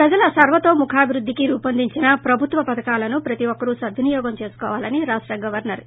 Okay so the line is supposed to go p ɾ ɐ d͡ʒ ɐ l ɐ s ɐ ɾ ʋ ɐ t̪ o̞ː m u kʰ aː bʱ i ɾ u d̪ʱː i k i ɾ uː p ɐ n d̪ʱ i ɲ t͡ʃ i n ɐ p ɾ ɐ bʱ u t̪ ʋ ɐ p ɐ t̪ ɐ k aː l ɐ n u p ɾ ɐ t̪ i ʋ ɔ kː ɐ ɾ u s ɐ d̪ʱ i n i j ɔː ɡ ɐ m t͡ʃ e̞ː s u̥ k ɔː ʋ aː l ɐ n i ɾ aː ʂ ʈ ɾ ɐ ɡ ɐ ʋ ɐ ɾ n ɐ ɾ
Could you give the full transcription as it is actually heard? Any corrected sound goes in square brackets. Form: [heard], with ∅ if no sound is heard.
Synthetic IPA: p ɾ ɐ d͡ʒ ɐ l ɐ s ɐ ɾ ʋ ɐ t̪ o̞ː m u kʰ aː bʱ i ɾ u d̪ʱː i k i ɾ uː p ɐ n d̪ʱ i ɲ t͡ʃ i n ɐ p ɾ ɐ bʱ u t̪ ʋ ɐ p ɐ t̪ ɐ k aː l ɐ n u p ɾ ɐ t̪ i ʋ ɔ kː ɐ ɾ u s ɐ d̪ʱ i n i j ɔː ɡ ɐ m t͡ʃ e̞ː s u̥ k ɔː ʋ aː l ɐ n i ɾ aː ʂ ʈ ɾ ɐ ɡ ɐ ʋ ɐ ɾ n ɐ ɾ